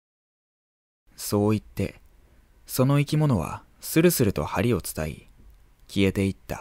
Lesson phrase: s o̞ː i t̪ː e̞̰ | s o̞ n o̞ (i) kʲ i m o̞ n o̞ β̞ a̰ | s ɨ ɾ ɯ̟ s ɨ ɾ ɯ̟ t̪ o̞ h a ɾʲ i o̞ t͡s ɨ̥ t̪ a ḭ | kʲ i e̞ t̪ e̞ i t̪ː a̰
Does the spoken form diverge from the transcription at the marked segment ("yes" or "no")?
no